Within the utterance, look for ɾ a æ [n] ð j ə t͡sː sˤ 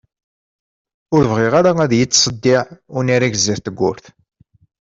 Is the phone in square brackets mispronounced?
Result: yes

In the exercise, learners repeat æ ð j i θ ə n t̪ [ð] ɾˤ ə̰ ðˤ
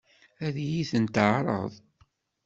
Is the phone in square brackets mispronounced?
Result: yes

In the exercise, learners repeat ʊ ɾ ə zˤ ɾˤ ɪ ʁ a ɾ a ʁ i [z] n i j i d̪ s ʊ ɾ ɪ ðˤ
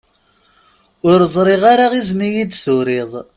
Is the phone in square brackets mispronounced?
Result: no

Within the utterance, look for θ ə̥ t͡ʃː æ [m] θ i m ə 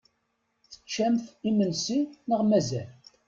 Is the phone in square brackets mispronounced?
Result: no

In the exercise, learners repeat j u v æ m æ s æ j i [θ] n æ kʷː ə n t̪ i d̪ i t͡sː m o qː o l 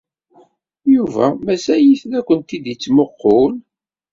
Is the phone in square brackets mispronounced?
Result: no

